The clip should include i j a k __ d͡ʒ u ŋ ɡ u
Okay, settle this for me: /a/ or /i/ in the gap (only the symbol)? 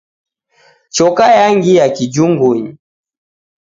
i